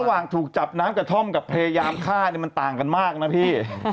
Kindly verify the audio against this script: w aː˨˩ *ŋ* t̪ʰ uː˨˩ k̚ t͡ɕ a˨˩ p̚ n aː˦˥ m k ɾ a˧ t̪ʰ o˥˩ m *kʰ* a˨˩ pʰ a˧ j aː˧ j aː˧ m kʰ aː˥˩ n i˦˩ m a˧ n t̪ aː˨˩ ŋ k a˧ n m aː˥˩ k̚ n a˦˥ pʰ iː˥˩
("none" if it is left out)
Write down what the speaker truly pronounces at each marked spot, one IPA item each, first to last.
ŋ, k

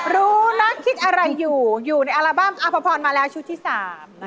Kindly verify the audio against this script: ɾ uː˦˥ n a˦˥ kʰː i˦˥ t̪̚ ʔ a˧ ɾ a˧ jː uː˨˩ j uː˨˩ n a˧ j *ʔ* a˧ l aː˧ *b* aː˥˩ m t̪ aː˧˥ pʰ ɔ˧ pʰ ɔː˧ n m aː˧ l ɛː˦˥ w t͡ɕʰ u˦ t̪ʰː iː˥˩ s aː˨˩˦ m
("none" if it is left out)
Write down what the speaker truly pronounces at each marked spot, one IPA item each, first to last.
ʔ, b

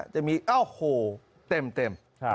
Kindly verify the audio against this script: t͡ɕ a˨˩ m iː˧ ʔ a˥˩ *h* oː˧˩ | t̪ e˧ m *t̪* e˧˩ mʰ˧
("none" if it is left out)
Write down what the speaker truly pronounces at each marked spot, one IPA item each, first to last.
h, t̪

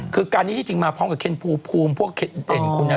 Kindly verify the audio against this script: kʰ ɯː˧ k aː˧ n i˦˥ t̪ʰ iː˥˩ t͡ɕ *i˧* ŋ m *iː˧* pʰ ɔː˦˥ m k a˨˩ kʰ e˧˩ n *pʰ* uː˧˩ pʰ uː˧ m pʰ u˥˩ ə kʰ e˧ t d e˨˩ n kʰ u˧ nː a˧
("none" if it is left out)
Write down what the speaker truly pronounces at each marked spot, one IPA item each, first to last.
i˧, aː˧, pʰ

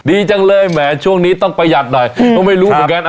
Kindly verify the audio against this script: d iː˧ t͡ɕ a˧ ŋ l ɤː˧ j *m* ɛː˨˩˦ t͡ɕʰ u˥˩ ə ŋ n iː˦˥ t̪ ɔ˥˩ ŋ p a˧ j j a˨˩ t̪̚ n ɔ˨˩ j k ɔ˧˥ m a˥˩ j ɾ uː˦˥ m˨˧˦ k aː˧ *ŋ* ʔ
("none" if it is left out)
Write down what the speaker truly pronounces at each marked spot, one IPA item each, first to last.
m, n

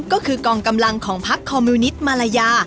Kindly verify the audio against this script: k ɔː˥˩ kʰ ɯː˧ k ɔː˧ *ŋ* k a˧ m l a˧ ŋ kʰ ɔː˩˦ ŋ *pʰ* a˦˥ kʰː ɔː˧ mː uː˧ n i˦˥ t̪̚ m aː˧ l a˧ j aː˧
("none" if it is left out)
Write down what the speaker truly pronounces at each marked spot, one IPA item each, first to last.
ŋ, pʰ

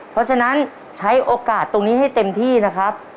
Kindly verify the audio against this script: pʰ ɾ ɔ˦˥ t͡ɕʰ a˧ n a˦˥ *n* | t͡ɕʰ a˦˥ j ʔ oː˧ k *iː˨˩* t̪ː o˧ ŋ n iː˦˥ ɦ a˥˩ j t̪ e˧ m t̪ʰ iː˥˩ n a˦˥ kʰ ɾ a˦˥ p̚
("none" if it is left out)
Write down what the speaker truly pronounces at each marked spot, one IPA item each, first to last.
n, aː˨˩

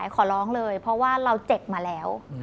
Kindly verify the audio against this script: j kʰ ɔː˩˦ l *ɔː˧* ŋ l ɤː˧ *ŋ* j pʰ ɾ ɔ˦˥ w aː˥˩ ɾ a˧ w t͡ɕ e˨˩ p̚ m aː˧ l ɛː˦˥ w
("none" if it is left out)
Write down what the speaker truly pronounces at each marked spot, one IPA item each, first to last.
ɔː˦˥, none

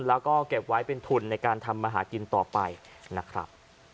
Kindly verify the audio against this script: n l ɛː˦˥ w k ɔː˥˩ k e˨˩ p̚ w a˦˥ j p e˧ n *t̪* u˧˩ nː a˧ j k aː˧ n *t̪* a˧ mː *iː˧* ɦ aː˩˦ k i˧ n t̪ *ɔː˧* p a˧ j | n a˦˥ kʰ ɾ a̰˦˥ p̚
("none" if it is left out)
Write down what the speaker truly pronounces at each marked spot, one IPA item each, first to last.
t̪ʰ, t̪ʰ, aː˧, ɔː˨˩

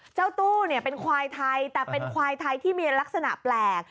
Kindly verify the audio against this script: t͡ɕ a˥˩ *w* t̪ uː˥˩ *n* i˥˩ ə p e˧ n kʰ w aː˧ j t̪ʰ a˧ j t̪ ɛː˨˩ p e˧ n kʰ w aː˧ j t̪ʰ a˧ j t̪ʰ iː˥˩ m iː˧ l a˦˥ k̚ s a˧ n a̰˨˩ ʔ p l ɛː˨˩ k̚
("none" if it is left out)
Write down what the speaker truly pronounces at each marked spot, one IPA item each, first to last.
w, n

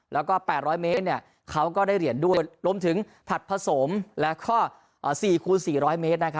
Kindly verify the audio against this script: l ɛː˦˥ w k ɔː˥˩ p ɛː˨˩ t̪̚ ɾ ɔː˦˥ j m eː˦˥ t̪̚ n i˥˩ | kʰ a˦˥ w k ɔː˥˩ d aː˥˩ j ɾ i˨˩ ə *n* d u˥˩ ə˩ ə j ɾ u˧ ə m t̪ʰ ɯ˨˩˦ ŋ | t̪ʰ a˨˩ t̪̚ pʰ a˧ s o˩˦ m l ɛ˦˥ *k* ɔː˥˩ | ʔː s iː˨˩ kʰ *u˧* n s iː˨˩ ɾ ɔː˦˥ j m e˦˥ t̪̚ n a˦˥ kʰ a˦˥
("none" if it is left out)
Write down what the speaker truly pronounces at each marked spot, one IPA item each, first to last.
n, kʰ, uː˧

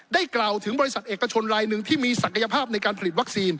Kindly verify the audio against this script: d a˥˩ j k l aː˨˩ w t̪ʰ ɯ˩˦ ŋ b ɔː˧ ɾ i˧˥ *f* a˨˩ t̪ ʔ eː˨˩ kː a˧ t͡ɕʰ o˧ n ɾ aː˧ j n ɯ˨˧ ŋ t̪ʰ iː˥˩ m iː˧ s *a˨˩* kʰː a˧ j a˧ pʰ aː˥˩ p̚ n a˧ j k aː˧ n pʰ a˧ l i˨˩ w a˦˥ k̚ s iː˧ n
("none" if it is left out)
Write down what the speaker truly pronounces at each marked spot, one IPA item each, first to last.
s, a˨˩

